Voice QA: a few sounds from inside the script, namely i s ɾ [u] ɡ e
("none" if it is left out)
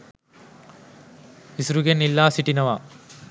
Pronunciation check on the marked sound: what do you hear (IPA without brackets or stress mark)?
u